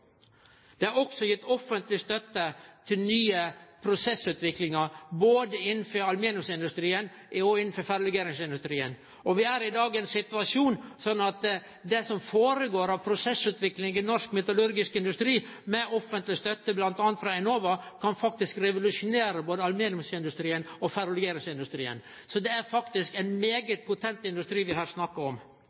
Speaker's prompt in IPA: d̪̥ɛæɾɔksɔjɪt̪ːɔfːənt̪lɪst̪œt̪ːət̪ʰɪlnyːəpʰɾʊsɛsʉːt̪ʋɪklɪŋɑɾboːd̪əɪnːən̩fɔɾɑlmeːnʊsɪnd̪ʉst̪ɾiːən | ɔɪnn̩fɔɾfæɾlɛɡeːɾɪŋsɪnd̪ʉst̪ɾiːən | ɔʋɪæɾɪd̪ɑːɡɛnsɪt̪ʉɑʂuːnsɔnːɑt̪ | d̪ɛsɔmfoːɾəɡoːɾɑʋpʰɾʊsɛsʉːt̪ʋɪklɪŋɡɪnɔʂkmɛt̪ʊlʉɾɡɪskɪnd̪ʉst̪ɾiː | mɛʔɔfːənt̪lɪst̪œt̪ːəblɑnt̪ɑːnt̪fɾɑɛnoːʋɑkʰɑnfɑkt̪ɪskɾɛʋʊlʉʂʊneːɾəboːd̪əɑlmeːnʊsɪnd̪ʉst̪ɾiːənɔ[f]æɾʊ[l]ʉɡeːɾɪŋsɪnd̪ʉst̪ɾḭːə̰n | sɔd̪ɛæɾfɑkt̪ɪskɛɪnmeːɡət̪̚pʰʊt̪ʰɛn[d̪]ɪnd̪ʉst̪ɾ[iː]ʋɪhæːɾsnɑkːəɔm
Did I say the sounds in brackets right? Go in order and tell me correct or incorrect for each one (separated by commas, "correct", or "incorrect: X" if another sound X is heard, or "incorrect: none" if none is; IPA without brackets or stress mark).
correct, correct, incorrect: t̪, correct